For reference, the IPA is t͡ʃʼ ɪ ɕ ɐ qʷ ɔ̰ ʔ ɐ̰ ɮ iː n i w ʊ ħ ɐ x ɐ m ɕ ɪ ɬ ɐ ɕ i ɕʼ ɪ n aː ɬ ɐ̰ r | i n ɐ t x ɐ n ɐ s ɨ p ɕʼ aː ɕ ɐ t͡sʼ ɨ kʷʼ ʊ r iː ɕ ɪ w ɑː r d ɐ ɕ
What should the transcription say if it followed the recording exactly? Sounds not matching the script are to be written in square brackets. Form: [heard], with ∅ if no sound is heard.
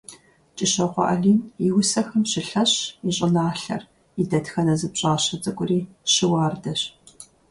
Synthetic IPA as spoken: t͡ʃʼ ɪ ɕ ɐ qʷ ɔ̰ ʔ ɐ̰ ɮ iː n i w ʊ [s] ɐ x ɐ m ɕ ɪ ɬ ɐ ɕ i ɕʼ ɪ n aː ɬ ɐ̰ r | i [d] ɐ t x ɐ n ɐ [z] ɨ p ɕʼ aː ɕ ɐ t͡sʼ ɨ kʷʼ ʊ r iː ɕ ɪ w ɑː r d ɐ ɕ